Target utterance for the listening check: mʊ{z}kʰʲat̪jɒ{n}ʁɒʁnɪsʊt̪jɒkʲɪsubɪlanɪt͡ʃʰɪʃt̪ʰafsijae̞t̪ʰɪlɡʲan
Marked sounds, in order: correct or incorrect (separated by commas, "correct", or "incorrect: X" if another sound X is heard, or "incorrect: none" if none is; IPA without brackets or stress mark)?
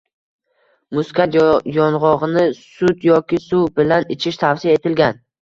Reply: incorrect: s, correct